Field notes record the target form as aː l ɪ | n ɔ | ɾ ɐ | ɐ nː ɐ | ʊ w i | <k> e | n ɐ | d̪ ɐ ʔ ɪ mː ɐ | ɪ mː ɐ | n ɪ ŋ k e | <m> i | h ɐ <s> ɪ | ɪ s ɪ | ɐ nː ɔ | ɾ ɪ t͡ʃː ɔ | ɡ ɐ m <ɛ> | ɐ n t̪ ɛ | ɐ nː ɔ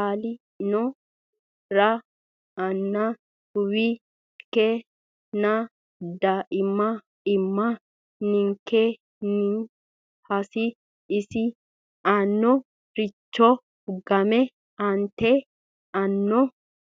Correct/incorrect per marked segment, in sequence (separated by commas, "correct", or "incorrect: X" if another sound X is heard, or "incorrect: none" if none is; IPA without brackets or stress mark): correct, incorrect: n, correct, correct